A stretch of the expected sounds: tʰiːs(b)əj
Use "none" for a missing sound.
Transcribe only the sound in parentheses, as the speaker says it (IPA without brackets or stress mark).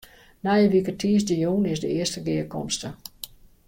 d